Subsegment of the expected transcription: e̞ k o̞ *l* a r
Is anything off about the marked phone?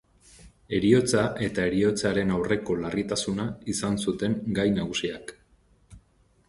no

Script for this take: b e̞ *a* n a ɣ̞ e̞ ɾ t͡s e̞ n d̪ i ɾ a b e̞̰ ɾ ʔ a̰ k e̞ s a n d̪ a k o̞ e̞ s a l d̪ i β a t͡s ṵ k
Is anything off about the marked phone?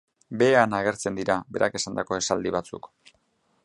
no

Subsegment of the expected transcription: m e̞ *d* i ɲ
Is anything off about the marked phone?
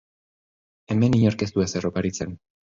yes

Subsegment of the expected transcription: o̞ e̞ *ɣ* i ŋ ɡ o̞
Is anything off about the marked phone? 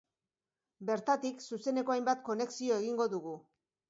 no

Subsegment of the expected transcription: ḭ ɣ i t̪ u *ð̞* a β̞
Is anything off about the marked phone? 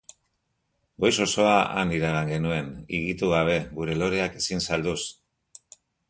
yes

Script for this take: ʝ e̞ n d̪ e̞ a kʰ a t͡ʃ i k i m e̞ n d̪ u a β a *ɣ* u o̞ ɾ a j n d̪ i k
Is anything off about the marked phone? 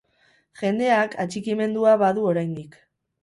yes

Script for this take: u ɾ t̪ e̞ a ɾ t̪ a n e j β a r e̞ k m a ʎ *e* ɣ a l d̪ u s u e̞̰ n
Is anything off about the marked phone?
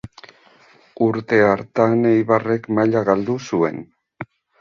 yes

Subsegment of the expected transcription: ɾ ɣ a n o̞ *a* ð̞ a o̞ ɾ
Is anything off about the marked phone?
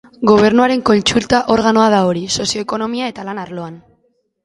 no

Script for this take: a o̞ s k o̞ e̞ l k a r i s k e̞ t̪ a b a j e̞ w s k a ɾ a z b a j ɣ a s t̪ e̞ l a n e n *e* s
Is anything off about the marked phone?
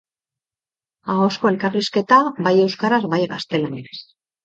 no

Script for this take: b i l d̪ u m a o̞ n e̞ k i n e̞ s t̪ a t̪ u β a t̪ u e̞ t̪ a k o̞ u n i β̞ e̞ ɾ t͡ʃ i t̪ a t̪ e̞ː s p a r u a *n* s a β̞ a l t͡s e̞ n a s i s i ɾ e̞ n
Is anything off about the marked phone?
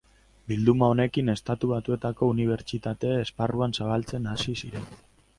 no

